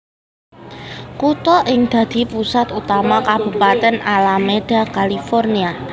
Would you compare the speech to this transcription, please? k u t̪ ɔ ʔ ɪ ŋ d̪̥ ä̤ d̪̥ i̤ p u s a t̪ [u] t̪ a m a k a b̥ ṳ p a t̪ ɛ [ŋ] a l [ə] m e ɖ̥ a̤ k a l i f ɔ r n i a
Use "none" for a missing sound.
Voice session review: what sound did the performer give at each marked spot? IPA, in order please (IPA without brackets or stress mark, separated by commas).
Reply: u, n, a